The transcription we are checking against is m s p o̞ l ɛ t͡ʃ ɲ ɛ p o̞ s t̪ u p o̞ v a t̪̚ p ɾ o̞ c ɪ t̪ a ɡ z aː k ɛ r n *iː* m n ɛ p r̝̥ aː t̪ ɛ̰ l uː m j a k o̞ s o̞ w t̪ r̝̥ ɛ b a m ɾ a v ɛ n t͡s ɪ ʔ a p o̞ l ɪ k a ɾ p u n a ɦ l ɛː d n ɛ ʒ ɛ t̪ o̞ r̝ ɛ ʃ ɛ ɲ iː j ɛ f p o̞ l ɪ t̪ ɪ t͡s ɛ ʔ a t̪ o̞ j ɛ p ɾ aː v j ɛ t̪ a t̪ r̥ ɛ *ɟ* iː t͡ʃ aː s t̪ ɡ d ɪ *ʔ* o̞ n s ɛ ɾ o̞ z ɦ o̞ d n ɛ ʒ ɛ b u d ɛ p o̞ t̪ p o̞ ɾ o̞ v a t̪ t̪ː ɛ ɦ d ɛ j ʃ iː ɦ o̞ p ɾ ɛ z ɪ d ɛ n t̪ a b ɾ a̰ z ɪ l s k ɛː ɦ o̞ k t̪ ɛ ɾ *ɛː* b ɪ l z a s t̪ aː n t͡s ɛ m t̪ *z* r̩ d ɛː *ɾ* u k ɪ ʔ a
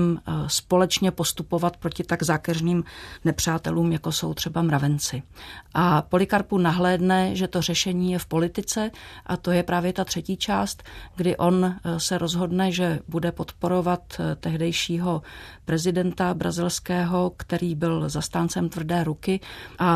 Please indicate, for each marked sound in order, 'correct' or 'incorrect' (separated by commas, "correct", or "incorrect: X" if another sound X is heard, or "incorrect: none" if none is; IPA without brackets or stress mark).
correct, incorrect: c, correct, incorrect: iː, incorrect: v, correct